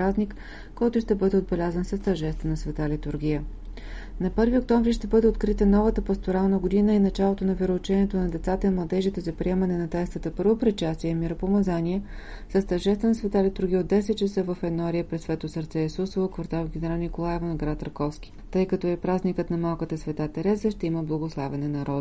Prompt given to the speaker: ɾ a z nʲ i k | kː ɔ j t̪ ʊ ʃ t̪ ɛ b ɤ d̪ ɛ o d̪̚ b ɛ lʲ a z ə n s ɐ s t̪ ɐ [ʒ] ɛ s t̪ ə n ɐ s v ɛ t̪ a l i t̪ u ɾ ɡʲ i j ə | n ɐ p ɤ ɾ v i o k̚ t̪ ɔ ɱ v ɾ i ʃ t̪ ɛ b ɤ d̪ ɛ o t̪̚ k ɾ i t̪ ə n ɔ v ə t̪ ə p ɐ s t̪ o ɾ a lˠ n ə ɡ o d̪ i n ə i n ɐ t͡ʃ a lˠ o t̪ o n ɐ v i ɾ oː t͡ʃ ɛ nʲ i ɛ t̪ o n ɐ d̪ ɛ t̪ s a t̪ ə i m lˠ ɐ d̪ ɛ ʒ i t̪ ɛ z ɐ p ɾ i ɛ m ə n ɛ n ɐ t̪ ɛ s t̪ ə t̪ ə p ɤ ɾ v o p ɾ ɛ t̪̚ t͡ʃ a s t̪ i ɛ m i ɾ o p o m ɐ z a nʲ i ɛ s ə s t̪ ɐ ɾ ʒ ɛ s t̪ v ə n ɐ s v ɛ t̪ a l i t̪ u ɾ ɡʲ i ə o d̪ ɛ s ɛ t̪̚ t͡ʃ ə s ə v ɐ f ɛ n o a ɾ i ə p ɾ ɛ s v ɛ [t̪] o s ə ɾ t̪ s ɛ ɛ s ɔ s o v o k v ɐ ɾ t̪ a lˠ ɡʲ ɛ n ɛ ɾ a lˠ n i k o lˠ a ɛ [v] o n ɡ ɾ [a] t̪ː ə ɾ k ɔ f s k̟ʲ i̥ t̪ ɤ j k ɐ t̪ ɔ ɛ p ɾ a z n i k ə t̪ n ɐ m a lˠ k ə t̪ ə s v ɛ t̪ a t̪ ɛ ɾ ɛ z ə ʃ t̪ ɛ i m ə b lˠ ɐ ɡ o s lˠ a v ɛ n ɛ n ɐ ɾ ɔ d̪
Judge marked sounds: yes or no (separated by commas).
yes, yes, yes, yes